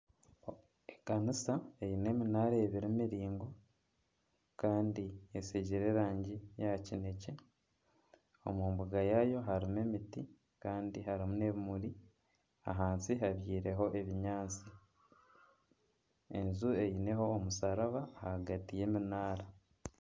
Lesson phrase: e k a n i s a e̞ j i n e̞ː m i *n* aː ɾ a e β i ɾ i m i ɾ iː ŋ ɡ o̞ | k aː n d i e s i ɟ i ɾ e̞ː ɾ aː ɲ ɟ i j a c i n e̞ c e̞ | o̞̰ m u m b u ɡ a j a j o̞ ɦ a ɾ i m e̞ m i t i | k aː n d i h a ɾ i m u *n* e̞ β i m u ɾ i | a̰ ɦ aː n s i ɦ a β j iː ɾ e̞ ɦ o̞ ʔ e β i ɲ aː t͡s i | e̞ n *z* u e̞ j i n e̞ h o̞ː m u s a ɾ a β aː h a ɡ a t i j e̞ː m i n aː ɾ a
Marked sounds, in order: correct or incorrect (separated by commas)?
correct, correct, correct